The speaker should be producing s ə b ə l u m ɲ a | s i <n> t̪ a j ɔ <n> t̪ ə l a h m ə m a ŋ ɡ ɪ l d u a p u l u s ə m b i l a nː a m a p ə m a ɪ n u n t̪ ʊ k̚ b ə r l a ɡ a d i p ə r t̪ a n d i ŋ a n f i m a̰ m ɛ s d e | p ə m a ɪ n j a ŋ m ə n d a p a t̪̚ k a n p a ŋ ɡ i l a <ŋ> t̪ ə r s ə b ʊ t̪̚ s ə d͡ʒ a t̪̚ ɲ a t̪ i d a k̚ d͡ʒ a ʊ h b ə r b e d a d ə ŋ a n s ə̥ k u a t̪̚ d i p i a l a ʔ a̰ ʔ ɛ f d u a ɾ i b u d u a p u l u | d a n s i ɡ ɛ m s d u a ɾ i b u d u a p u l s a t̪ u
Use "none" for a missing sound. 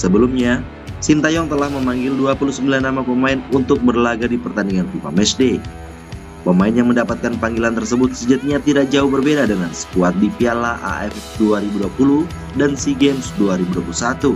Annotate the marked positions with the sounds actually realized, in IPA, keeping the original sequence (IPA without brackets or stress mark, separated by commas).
n, ŋ, n